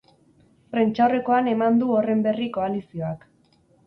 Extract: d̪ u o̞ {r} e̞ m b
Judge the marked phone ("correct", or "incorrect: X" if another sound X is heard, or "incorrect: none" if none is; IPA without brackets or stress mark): correct